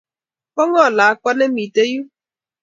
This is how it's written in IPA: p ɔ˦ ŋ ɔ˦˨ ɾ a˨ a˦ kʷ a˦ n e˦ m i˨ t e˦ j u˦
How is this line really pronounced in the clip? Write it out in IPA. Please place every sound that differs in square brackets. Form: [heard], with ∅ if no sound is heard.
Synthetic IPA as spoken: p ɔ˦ ŋ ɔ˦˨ [l] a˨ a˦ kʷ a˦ n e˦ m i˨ t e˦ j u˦